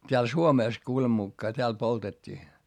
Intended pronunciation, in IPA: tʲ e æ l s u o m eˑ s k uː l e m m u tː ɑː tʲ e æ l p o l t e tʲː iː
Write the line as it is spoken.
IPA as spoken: tʲ e æ l s u o m eˑ s k uː l e m m u kː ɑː tʲ e æ l p o l t e tʲː iː